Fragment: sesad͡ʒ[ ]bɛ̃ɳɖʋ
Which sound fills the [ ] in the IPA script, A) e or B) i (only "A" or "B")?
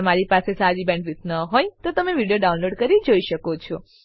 B